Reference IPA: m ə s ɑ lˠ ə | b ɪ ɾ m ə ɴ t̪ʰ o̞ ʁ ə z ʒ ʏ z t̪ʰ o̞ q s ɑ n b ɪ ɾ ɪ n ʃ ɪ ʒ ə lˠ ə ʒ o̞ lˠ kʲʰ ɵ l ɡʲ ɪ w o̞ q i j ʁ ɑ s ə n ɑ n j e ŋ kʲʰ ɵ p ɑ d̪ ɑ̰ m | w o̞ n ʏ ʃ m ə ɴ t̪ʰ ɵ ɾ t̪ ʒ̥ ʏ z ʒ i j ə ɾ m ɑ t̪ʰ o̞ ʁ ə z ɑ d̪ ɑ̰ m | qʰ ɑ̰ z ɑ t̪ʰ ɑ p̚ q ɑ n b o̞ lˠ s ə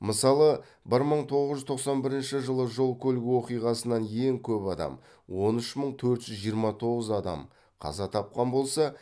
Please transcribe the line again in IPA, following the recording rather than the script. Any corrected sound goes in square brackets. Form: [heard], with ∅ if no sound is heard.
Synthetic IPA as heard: m ə s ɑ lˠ ə | b ɪ ɾ m ə ɴ t̪ʰ o̞ ʁ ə z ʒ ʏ z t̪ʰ o̞ q s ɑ n b ɪ ɾ ɪ n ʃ ɪ ʒ ə lˠ ə ʒ o̞ lˠ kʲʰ ɵ l ɡʲ ɪ w o̞ q i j ʁ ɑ s ə n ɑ n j e ŋ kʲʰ ɵ p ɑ d̪ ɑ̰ m | w o̞ n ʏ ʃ m ə ɴ t̪ʰ ɵ ɾ t̪ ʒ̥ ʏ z ʒ i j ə ɾ m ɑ t̪ʰ o̞ ʁ ə z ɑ d̪ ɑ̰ m | qʰ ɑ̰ z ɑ t̪ʰ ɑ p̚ q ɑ n b o̞ lˠ s [ɑ]